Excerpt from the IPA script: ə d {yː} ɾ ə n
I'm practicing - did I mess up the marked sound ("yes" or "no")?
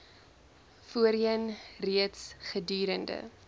no